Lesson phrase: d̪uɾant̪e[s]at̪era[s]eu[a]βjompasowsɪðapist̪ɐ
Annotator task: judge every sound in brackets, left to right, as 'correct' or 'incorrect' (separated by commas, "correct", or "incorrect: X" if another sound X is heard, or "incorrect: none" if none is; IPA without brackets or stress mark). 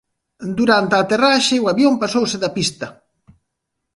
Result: incorrect: none, incorrect: ʃ, correct